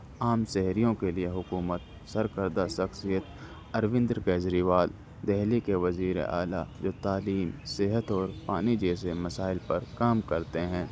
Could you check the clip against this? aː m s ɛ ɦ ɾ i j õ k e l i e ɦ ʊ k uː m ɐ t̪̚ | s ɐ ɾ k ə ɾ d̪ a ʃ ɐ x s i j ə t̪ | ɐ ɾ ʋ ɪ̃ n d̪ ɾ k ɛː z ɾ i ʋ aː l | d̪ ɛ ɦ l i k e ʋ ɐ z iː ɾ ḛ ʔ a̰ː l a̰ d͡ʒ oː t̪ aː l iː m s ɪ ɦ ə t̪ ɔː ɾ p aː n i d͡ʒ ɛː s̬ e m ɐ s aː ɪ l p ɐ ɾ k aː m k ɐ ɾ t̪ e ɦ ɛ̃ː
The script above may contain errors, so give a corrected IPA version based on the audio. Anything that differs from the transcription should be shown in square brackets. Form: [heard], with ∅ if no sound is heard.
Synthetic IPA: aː m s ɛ ɦ ɾ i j õ k e l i e ɦ ʊ k uː m [ə] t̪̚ | s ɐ ɾ k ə ɾ d̪ a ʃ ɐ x s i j ə t̪ | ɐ ɾ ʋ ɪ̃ n d̪ ɾ k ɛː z ɾ i ʋ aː l | d̪ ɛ ɦ l i k e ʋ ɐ z iː ɾ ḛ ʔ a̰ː l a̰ d͡ʒ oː t̪ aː l iː m s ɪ ɦ ə t̪ ɔː ɾ p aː n i d͡ʒ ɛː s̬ e m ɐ s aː ɪ l p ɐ ɾ k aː m k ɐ ɾ t̪ e ɦ ɛ̃ː